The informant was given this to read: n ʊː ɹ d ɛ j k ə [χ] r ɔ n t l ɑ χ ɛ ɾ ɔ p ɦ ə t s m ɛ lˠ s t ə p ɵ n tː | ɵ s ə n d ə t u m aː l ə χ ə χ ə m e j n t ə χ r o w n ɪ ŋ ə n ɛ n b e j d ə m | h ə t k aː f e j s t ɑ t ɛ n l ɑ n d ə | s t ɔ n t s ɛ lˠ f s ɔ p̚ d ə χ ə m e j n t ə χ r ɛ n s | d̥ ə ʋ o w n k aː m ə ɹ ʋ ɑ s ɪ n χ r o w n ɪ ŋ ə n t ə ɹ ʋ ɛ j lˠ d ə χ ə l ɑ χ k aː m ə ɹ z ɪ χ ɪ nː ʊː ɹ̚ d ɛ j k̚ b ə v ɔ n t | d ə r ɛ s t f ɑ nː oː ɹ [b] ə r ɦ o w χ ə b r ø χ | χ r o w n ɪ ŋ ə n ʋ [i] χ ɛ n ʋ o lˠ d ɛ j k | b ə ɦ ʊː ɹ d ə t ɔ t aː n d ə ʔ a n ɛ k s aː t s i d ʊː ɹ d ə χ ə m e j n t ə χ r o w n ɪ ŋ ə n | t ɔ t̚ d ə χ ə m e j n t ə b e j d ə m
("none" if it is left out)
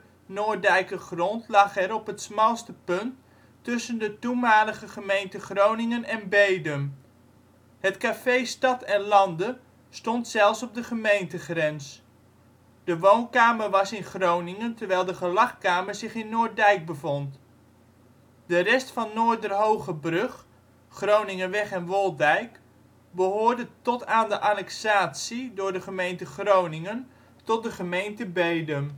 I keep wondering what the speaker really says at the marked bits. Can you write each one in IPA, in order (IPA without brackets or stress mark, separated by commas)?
χ, d, ɛ